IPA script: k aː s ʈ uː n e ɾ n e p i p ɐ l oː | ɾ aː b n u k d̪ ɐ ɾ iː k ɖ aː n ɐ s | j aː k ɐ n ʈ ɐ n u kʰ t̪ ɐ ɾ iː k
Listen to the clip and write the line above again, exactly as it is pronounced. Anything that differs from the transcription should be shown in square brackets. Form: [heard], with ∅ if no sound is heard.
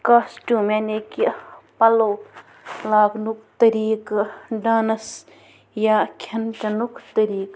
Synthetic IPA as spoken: k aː s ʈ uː [m] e [∅] n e [k] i p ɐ l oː | [l] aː [ɡ] n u k [t̪] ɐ ɾ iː k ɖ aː n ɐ s | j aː [kʰ] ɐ n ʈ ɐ n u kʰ t̪ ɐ ɾ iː k

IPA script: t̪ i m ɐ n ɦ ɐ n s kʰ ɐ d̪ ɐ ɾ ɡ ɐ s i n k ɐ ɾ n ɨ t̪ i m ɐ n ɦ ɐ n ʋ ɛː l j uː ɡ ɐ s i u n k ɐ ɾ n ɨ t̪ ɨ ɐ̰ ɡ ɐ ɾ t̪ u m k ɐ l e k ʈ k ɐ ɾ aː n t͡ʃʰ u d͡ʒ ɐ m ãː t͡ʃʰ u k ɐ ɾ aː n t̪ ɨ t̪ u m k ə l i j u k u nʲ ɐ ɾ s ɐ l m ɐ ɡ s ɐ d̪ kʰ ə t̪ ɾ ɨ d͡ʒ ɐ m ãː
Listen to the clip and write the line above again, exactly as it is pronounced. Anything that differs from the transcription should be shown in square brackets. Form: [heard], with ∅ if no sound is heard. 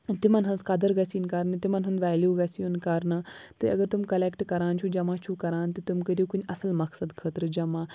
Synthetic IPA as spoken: t̪ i m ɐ n ɦ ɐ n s [k] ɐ d̪ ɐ ɾ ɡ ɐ s i n k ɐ ɾ n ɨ t̪ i m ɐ n ɦ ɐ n ʋ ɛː l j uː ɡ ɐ s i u n k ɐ ɾ n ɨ t̪ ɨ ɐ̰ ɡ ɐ ɾ t̪ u m k ɐ l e k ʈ k ɐ ɾ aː n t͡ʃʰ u d͡ʒ ɐ m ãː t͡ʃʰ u k ɐ ɾ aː n t̪ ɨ t̪ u m k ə [ɾ] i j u k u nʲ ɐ [∅] s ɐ l m ɐ [k] s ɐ d̪ kʰ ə t̪ ɾ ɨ d͡ʒ ɐ m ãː

